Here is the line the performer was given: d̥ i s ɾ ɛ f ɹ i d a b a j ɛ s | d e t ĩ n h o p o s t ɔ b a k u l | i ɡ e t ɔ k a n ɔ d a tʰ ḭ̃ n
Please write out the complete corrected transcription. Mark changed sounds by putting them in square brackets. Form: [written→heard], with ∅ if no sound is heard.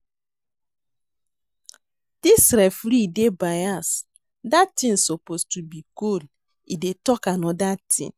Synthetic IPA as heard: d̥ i s ɾ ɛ f [ɹ→ɾ] i d [a→e] b a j [ɛ→a] s | d [e→a] t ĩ n [h→s] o p o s t [ɔ→u] b [a→i] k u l | i [ɡ→d] e t ɔ k a n ɔ d a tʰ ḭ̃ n

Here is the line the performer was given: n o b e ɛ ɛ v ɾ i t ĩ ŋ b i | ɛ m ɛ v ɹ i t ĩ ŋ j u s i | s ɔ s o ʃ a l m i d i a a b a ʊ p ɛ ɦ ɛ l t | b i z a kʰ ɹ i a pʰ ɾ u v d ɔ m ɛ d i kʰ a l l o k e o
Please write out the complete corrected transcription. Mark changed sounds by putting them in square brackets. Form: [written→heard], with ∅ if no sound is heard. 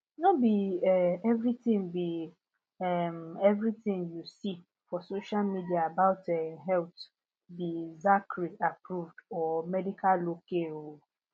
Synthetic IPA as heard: n o b [e→i] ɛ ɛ v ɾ i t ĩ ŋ b i | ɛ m ɛ v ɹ i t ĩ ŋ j u s i | [s→f] ɔ s o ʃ a l m i d i a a b a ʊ [p→t] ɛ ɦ ɛ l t | b i z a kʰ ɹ i a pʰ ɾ u v d ɔ m ɛ d i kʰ a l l o k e o

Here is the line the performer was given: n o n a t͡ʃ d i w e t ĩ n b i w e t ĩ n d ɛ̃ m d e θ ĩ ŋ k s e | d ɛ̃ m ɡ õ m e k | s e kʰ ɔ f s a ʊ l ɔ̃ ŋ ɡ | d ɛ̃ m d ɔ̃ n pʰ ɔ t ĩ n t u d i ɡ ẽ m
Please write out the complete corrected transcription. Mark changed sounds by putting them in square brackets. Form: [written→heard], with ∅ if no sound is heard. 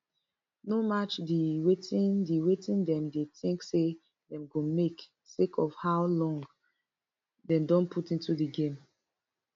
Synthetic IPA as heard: n o [n→m] a t͡ʃ d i w e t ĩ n [b→d] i w e t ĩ n d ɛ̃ m d e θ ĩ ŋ k s e | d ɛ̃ m ɡ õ m e k | s e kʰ ɔ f [s→h] a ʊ l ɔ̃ ŋ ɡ | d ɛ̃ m d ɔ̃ n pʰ [ɔ→u] t ĩ n t u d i ɡ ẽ m

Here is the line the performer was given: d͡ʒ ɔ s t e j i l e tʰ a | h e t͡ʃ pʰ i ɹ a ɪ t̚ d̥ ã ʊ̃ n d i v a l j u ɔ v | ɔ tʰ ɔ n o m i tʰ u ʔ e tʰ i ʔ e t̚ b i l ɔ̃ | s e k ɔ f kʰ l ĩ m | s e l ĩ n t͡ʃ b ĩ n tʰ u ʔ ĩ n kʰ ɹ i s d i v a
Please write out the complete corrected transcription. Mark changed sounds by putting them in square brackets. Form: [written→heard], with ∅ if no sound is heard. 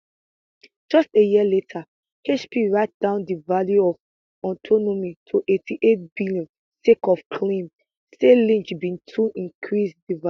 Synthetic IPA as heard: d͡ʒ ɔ s t e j i l e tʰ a | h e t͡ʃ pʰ i ɹ a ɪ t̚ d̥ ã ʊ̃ n d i v a l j u ɔ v | ɔ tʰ ɔ n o m i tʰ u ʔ e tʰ i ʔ e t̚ b i l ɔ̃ | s e k ɔ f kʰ l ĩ m | s e l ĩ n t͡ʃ b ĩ n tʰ u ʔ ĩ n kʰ ɹ i s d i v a

